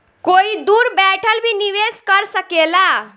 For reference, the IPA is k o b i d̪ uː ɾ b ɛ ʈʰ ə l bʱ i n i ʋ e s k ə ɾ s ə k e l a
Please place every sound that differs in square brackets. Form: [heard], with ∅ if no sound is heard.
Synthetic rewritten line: k o [∅] i d̪ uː ɾ b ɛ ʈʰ ə l bʱ i n i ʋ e s k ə ɾ s ə k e l a